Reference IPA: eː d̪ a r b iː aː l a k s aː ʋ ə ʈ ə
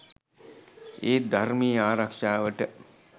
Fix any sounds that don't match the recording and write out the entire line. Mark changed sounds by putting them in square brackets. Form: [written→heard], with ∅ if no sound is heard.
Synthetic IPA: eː d̪ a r [b→m] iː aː [l→ɾ] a k [s→ʂ] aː ʋ ə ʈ ə